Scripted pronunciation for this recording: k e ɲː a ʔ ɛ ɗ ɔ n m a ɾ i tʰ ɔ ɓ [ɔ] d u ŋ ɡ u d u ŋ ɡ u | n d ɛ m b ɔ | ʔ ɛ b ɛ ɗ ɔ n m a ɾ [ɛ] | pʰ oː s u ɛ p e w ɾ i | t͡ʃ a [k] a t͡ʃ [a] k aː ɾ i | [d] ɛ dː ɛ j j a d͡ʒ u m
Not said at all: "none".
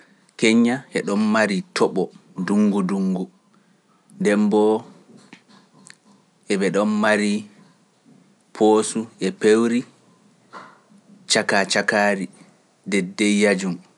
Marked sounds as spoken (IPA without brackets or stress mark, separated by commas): ɔ, i, k, a, d